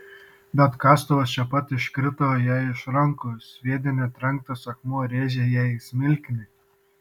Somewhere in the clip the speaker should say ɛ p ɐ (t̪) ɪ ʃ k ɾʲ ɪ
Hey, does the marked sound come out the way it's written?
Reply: yes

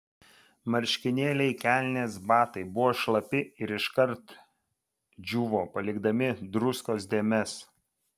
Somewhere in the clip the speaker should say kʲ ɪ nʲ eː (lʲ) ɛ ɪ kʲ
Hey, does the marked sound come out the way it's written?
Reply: yes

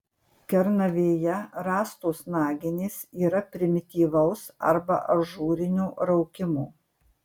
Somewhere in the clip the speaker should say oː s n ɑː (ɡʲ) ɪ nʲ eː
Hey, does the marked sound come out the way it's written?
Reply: yes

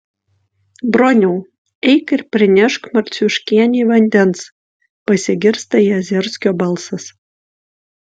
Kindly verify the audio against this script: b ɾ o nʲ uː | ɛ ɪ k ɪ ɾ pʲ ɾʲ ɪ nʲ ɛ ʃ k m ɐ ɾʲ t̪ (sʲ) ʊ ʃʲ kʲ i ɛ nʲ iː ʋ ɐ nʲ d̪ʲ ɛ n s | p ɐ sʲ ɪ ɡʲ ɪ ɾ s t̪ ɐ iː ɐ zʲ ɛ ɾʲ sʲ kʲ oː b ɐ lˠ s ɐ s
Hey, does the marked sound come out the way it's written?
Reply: yes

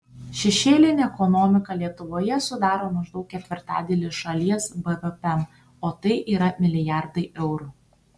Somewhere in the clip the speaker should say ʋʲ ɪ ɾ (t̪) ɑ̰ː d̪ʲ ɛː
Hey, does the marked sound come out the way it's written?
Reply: yes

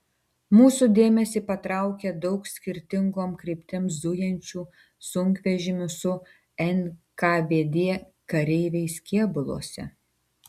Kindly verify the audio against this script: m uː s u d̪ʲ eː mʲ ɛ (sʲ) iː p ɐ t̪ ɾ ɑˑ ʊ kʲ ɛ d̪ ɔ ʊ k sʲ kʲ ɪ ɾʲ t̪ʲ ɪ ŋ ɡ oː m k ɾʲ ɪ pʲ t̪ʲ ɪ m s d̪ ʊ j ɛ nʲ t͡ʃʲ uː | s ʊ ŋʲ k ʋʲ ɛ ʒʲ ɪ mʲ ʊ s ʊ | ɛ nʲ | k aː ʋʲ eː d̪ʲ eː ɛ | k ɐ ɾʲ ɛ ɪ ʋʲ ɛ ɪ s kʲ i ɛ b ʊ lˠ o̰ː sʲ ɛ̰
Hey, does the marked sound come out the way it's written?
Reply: yes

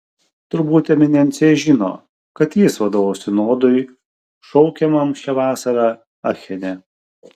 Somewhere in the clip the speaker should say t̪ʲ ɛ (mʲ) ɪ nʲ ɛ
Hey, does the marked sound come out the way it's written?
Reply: yes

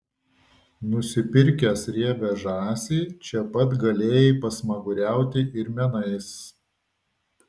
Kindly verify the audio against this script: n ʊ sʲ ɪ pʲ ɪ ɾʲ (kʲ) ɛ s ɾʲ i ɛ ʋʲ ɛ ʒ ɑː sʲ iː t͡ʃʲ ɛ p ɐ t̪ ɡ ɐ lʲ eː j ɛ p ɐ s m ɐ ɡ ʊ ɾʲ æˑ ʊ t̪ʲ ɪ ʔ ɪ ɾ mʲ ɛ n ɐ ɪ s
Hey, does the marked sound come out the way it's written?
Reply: yes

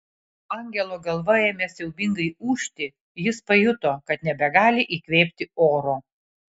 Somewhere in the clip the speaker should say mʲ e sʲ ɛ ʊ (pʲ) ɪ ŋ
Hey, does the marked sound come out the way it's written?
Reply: no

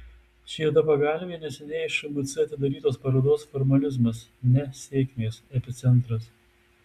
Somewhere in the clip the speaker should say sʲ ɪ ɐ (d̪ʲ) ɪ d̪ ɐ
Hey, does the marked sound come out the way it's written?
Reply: no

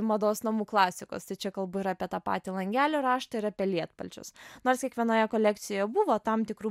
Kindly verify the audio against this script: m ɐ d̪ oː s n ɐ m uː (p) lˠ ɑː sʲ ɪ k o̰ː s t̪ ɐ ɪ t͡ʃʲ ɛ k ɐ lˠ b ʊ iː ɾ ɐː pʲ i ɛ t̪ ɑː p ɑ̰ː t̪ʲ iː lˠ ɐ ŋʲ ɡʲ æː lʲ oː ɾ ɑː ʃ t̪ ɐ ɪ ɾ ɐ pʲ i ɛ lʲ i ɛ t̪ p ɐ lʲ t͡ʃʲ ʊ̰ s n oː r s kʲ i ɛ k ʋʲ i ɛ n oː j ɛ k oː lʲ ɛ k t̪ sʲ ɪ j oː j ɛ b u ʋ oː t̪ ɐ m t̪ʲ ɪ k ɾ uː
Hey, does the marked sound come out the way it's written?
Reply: no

